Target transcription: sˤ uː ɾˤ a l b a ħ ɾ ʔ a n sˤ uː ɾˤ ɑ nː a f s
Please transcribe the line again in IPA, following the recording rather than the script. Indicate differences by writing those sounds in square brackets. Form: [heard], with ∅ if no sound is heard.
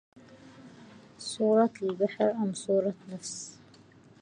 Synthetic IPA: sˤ uː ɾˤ [ɑ] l b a ħ ɾ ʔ a [m] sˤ uː ɾˤ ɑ [n] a f s